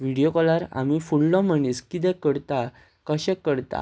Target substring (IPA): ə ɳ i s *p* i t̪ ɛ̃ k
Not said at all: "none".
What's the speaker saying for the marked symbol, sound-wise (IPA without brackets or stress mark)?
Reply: k